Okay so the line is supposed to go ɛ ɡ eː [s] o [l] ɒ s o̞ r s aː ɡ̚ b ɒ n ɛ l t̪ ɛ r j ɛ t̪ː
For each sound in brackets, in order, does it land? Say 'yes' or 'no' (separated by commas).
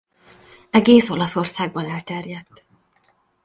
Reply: yes, yes